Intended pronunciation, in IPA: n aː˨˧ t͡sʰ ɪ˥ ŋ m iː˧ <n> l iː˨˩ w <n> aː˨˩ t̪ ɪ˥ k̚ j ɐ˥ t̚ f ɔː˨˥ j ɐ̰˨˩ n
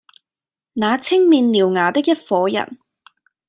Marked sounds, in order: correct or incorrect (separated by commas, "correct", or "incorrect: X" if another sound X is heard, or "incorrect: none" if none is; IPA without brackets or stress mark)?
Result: correct, incorrect: ŋ